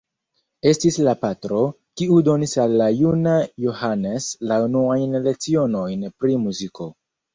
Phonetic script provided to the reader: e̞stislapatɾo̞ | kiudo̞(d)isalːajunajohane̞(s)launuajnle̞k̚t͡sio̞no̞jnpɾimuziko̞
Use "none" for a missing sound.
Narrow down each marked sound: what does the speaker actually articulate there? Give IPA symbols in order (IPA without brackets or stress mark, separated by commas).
n, s